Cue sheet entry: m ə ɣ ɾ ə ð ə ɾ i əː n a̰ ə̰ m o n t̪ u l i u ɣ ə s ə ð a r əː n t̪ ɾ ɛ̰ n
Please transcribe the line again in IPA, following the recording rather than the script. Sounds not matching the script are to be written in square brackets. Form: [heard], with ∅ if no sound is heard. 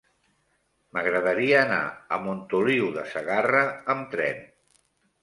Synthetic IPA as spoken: m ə ɣ ɾ ə ð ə ɾ i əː n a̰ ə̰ m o n t̪ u l i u [ð] ə s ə [ɣ] a r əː [m] t̪ ɾ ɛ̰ n